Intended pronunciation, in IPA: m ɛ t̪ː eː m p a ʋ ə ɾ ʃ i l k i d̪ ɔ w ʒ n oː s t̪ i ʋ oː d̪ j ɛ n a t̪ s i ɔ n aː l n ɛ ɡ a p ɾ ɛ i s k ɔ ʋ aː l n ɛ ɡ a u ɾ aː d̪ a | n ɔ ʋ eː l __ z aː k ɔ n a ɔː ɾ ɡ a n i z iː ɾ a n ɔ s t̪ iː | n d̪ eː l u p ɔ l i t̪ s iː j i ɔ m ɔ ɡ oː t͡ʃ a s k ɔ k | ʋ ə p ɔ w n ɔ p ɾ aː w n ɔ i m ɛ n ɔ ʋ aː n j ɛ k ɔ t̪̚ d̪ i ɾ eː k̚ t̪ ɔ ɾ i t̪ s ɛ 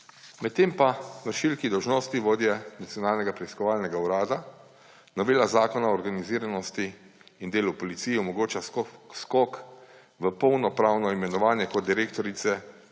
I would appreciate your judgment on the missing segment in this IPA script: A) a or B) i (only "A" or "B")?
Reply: A